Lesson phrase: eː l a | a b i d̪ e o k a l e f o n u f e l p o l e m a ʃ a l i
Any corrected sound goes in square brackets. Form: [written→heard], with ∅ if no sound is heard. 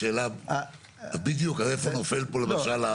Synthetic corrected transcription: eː l a | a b i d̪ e o k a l e f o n [u→o] f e l p o l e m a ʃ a l [i→a]